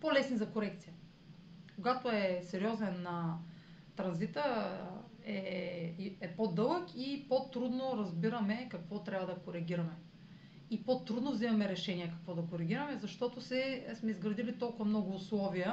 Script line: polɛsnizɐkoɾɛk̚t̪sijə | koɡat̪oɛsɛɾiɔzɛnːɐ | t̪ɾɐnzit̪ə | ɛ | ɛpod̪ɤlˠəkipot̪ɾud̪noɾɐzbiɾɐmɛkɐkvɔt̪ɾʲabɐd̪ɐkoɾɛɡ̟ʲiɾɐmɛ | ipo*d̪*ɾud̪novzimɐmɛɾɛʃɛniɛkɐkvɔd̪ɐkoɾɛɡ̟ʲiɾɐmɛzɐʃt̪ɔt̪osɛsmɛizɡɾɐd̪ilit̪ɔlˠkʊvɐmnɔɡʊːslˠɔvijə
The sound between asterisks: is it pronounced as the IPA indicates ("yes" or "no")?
no